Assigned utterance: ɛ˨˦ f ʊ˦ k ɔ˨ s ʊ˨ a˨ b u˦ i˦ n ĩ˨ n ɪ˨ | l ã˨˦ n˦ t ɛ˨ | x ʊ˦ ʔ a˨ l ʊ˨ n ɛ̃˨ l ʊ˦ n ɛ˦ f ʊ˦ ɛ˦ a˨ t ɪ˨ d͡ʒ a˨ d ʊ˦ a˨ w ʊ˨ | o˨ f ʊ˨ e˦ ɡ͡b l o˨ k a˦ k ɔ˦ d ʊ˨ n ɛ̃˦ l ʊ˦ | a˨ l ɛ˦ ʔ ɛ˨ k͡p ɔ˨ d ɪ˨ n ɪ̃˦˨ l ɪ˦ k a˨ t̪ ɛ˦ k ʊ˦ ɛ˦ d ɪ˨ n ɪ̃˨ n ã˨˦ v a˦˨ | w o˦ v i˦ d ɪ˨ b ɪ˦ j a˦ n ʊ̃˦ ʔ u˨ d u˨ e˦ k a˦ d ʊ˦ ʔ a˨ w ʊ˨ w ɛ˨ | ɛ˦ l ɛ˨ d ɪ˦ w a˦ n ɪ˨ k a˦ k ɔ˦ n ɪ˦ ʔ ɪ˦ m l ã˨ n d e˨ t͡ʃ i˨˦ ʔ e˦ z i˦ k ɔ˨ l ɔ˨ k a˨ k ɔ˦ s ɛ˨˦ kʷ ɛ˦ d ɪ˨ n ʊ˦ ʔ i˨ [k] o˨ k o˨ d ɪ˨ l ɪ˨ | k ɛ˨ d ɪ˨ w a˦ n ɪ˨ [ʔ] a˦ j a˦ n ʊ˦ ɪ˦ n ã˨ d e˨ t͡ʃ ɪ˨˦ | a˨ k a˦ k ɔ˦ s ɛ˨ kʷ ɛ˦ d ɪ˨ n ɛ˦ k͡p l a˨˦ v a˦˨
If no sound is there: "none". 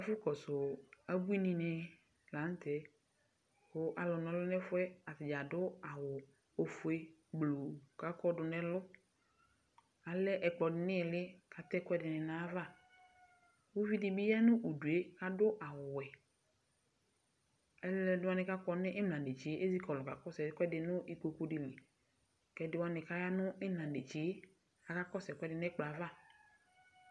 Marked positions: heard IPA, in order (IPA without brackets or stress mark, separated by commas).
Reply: k, k